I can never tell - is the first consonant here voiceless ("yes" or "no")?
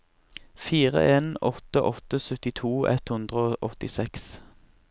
yes